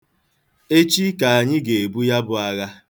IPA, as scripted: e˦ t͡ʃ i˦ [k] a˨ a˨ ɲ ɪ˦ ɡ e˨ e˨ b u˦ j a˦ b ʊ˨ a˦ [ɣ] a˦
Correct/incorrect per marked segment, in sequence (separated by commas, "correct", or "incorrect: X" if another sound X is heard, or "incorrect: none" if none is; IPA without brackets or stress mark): correct, correct